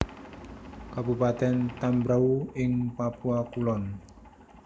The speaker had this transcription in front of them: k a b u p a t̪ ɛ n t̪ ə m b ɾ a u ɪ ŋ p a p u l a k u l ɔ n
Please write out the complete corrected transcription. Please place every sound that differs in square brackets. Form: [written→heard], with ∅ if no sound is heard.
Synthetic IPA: k a b u p a t̪ ɛ n t̪ [ə→a] m b ɾ a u ɪ ŋ p a p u [l→∅] a k u l ɔ n